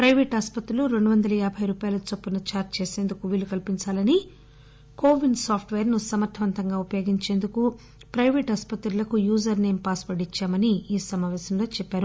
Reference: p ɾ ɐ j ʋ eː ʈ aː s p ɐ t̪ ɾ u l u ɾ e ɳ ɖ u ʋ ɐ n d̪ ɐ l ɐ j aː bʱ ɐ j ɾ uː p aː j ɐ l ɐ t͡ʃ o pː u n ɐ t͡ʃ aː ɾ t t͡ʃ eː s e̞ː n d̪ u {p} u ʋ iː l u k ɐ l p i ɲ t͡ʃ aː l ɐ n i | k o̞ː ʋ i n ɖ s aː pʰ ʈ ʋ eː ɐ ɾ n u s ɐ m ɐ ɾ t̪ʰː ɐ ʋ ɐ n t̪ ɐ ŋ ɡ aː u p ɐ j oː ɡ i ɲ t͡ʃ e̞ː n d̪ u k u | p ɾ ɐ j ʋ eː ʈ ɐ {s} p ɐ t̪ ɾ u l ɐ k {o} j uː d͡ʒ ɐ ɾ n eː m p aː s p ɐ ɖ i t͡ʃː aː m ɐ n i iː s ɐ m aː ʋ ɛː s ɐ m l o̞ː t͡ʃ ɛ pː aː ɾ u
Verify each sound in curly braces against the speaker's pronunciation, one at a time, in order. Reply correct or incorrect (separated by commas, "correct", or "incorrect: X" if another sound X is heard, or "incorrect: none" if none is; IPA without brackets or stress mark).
incorrect: k, correct, incorrect: u